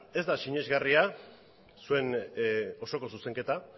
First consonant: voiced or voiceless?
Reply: voiced